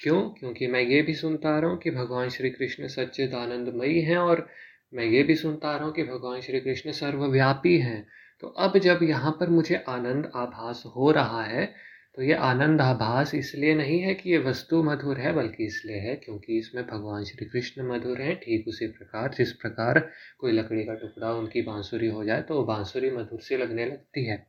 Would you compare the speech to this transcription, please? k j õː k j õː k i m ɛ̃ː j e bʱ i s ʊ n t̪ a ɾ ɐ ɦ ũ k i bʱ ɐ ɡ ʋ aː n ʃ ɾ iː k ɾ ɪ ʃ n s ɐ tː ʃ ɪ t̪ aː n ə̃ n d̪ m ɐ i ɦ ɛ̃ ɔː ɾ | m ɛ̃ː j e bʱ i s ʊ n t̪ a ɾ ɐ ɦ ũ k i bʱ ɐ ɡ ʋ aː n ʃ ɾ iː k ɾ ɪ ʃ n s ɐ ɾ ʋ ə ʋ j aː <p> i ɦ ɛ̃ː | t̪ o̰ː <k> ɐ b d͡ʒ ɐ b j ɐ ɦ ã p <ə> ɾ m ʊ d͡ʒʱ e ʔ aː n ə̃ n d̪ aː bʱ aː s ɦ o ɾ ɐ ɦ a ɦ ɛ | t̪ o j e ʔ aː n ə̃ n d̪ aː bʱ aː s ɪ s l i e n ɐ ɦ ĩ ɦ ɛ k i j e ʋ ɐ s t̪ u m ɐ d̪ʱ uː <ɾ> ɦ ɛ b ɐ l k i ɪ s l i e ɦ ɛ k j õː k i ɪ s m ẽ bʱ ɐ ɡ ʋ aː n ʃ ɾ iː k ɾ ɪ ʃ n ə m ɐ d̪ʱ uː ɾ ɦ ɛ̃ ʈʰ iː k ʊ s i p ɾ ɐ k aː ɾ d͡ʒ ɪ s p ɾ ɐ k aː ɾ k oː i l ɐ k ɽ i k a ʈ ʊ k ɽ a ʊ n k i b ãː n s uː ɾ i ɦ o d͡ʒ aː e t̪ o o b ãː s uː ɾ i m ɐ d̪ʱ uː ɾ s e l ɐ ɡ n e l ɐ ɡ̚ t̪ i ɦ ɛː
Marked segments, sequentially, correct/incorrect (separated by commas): correct, incorrect, incorrect, correct